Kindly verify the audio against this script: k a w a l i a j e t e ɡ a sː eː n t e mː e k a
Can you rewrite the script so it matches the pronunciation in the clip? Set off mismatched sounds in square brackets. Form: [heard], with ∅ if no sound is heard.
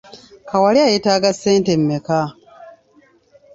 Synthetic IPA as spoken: k a w a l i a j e t [a] ɡ a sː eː n t e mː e k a

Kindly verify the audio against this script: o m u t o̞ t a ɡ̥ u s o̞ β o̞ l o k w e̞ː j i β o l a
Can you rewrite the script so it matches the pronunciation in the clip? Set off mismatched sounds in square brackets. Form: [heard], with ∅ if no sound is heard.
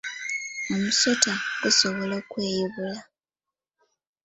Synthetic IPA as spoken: o m u [s] o̞ t a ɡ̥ u s o̞ β o̞ l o k w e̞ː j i β [u] l a

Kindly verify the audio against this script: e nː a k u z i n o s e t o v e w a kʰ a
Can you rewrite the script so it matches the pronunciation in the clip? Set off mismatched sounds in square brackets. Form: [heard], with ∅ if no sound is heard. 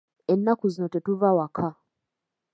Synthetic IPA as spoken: e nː a k u z i n o [t] e t [u] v [a] w a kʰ a

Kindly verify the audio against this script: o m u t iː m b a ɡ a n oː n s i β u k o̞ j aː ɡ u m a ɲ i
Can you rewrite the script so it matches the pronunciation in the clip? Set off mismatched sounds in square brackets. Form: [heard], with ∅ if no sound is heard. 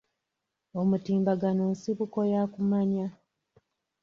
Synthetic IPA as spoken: o m u t iː m b a ɡ a n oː n s i β u k o̞ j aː [k] u m a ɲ [a]

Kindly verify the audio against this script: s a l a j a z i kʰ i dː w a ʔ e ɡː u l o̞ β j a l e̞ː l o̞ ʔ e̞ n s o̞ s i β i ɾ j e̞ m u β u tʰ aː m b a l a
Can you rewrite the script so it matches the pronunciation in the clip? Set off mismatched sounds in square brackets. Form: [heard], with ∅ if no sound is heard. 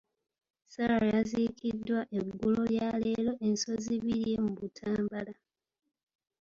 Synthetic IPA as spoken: s a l a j a z i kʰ i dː w a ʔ e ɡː u l o̞ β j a l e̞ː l o̞ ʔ e̞ n s o̞ [z] i β i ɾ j e̞ m u β u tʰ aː m b a l a

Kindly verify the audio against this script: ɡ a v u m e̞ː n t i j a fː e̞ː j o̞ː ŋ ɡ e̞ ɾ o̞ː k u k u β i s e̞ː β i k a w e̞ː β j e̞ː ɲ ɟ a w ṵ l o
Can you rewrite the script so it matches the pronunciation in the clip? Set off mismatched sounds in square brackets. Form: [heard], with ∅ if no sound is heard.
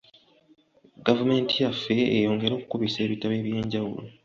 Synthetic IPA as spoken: ɡ a v u m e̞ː n t i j a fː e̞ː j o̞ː ŋ ɡ e̞ ɾ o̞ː k u k u β i s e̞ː β i [t] a [β] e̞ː β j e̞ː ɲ ɟ a w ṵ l o

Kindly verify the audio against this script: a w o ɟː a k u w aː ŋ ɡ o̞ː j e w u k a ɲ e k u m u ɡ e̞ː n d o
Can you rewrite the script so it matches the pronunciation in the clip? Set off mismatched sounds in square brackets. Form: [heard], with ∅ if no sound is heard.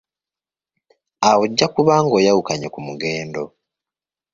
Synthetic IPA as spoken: a w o ɟː a k u [β] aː ŋ ɡ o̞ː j [a] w u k a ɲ e k u m u ɡ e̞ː n d o

